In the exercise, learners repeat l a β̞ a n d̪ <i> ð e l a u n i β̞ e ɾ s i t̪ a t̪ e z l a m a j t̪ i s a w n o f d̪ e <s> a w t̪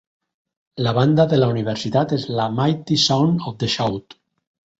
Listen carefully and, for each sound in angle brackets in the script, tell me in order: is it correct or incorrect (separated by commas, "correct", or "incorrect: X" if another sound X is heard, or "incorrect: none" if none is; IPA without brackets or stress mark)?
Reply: incorrect: a, incorrect: ʃ